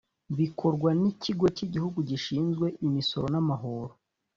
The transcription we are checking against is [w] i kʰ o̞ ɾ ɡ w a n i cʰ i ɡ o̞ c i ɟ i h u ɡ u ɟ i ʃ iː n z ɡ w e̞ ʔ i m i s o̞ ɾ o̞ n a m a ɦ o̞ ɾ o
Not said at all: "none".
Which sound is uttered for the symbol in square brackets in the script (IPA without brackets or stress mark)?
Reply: β